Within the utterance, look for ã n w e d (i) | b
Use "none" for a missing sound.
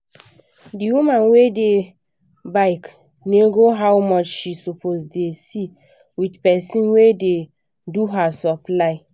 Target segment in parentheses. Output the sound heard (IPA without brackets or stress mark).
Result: e